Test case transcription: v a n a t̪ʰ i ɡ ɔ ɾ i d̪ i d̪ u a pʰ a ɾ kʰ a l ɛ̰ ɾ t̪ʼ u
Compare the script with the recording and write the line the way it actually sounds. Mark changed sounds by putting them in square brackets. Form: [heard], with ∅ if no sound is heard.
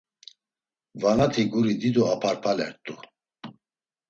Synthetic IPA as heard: v a n a t̪ʰ i ɡ [u] ɾ i d̪ i d̪ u a pʰ a ɾ [pʰ] a l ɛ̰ ɾ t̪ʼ u